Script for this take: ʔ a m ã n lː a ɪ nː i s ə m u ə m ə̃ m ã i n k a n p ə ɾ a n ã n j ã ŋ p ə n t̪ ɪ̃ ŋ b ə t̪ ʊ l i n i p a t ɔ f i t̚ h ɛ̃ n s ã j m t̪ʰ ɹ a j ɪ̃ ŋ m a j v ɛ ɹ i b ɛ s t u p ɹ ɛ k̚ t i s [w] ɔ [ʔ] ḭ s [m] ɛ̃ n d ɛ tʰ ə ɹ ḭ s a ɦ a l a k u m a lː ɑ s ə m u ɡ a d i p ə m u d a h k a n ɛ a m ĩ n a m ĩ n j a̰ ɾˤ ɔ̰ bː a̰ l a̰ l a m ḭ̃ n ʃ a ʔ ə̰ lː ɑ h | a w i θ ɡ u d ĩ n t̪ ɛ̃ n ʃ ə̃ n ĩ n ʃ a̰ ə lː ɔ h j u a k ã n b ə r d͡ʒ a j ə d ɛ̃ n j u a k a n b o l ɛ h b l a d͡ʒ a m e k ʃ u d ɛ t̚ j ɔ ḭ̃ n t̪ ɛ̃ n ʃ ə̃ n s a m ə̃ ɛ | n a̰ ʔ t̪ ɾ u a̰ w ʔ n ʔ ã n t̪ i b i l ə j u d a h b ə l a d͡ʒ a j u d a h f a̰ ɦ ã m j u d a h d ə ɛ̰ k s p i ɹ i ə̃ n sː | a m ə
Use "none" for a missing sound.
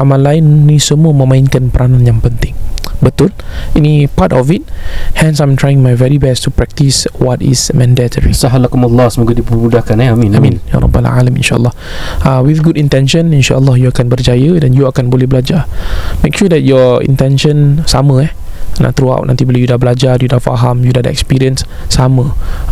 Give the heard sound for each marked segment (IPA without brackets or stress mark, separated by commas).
w, t, m